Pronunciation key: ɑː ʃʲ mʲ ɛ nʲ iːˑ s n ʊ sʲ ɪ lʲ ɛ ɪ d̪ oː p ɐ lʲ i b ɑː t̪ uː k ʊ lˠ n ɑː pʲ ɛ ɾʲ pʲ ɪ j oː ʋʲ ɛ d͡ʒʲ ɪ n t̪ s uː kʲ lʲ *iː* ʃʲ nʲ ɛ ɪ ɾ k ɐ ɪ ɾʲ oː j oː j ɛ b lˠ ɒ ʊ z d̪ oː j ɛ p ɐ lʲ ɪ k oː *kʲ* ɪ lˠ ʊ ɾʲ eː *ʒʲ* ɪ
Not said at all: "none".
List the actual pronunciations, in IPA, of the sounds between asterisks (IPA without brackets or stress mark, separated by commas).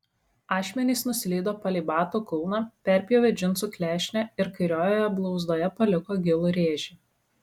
æː, ɡʲ, ʒʲ